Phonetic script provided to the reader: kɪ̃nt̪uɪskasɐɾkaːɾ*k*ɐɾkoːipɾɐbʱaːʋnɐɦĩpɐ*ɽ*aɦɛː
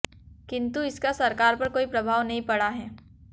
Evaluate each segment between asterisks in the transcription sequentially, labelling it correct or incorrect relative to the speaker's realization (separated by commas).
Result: incorrect, correct